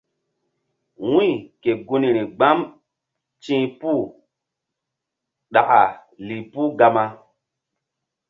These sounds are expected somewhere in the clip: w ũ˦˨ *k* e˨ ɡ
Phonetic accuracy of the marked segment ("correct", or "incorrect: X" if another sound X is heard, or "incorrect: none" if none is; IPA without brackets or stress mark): correct